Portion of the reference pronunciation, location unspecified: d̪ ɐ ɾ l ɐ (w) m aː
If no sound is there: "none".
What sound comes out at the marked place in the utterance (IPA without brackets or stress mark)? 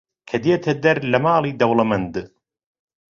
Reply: none